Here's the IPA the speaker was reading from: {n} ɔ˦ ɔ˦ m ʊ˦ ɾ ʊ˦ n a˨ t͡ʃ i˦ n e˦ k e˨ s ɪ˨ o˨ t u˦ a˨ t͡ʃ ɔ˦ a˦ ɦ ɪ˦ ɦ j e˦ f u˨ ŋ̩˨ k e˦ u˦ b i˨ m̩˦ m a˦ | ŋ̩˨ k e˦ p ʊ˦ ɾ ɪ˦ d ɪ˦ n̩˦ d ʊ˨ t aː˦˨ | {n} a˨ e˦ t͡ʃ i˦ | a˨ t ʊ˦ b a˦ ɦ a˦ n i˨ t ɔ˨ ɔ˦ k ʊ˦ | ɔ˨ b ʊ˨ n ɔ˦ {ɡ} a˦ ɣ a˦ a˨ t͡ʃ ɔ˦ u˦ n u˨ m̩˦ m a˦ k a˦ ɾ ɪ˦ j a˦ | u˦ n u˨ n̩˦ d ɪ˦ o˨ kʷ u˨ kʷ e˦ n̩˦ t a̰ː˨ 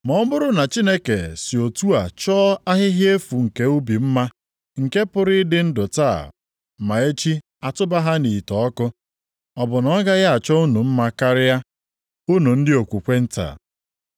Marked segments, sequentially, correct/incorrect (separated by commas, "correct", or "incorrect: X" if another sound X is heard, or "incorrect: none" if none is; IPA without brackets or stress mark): incorrect: m, incorrect: m, correct